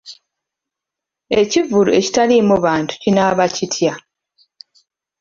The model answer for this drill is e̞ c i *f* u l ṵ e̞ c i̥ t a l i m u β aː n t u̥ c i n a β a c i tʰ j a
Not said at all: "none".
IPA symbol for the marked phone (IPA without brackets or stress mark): v